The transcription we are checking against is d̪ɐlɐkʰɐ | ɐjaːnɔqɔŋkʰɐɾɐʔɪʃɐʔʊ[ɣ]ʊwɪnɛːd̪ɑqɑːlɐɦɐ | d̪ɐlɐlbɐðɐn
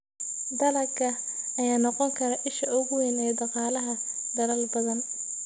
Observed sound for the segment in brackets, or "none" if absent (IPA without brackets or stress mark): ɣ